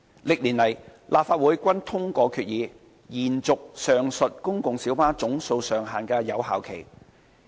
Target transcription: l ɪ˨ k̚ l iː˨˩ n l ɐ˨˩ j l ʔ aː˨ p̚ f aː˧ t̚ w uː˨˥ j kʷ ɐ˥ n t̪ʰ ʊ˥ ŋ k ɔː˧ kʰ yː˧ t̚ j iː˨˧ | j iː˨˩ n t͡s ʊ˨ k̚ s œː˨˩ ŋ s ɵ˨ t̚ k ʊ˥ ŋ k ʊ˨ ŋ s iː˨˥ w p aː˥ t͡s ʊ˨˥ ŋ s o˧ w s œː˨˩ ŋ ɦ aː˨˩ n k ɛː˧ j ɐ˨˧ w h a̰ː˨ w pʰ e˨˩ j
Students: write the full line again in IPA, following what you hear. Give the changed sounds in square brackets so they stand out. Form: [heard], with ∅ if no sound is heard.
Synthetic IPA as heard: l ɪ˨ k̚ l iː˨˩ n l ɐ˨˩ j l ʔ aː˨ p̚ f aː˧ t̚ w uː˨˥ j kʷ ɐ˥ n t̪ʰ ʊ˥ ŋ k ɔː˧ kʰ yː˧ t̚ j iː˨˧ | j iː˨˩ n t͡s ʊ˨ k̚ s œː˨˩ ŋ s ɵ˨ t̚ k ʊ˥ ŋ k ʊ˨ ŋ s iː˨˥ w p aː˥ t͡s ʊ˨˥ ŋ s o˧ w s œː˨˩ ŋ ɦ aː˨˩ n k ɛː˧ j ɐ˨˧ w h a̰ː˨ w [kʰ] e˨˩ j